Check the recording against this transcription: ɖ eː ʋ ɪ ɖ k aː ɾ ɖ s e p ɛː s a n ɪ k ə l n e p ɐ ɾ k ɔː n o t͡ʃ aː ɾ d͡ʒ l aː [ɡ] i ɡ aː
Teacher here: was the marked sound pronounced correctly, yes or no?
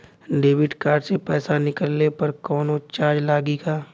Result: yes